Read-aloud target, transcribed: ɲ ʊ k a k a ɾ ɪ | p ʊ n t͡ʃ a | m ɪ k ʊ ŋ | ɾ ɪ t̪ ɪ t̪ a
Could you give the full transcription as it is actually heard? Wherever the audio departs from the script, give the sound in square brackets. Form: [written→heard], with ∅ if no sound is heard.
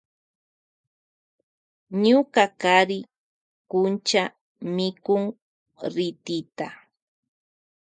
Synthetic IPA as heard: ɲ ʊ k a k a ɾ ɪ | [p→k] ʊ n t͡ʃ a | m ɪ k ʊ ŋ | ɾ ɪ t̪ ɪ t̪ a